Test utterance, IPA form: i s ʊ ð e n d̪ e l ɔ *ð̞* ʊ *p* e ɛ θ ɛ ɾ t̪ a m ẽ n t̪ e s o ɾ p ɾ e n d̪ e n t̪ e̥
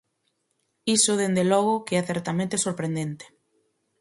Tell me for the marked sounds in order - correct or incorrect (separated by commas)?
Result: incorrect, incorrect